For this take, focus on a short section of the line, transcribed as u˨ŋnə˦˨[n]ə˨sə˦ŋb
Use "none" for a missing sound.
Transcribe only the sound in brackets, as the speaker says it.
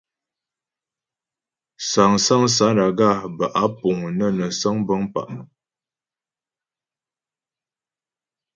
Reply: n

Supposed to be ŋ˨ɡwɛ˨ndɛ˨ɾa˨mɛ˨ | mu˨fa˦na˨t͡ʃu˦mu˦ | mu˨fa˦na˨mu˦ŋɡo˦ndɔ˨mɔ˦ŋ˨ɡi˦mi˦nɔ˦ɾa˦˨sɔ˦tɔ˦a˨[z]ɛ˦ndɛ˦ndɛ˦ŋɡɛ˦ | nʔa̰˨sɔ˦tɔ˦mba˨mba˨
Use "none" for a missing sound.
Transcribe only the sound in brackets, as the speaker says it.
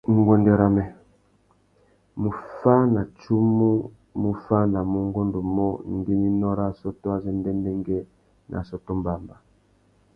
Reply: z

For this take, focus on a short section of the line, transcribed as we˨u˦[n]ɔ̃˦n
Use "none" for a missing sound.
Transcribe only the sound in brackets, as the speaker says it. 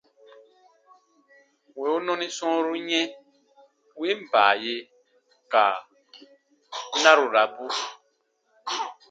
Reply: n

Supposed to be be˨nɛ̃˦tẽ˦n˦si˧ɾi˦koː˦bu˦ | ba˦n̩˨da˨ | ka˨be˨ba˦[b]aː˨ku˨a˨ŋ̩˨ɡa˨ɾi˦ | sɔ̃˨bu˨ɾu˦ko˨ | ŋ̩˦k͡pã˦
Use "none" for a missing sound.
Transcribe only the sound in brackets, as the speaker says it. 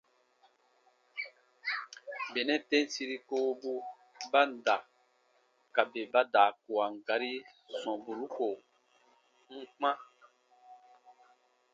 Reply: d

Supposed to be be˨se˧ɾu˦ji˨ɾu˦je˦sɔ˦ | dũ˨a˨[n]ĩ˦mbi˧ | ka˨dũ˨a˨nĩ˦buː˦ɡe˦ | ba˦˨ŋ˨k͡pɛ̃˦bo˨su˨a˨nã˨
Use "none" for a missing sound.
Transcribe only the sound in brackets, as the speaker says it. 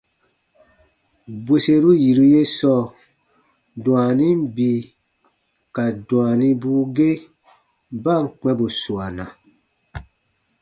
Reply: n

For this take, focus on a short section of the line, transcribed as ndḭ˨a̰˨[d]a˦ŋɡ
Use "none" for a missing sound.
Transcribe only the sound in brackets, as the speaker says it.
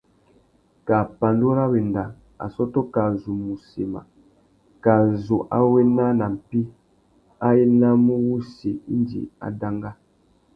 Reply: d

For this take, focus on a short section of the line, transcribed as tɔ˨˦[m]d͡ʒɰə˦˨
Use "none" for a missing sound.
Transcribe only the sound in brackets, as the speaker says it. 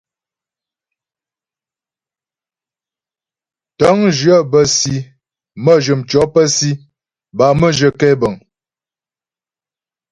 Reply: ŋ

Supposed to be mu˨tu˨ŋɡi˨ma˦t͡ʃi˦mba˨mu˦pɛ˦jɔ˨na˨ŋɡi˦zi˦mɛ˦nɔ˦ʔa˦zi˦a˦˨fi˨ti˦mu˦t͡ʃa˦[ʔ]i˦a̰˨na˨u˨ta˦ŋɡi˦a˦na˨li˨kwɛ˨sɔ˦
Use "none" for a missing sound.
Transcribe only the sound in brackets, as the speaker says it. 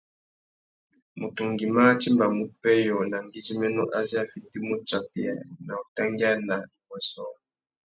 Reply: p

